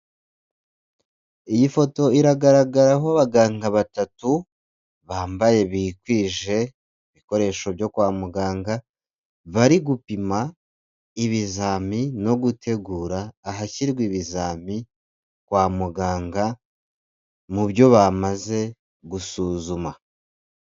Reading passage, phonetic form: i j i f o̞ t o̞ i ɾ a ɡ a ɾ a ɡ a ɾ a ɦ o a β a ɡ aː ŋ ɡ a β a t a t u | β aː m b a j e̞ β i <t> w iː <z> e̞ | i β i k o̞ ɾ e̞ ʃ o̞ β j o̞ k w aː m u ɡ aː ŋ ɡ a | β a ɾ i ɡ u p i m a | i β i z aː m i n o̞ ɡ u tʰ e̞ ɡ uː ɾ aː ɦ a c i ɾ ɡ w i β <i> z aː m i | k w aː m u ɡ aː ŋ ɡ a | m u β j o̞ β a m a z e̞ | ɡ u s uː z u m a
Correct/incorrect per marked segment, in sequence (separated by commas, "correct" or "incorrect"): incorrect, incorrect, correct